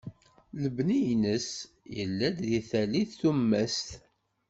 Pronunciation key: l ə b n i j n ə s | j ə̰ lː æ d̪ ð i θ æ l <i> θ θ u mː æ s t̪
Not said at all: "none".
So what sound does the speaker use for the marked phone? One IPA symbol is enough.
i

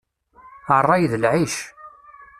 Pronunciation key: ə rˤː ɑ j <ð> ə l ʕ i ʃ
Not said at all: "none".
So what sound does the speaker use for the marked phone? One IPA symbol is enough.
ð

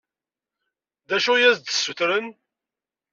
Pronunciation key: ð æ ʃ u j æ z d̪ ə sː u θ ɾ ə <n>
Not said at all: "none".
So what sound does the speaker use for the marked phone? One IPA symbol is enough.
n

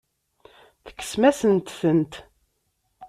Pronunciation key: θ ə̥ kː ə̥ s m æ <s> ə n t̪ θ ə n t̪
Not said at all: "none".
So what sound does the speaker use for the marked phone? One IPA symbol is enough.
s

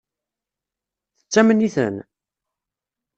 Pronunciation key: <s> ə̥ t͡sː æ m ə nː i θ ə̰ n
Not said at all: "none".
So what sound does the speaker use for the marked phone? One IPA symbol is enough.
θ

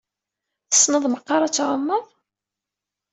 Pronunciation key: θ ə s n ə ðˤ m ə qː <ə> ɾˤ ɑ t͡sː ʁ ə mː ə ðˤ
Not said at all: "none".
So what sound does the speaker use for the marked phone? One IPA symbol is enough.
ɑ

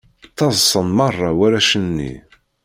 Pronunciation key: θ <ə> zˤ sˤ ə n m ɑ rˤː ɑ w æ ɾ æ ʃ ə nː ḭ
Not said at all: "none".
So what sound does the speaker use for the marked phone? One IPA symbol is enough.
ɑ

